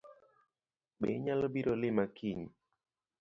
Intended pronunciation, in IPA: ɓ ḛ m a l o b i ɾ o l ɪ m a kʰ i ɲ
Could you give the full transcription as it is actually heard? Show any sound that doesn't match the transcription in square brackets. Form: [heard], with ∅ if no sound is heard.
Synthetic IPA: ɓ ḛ [ɲ] a l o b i ɾ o l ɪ m a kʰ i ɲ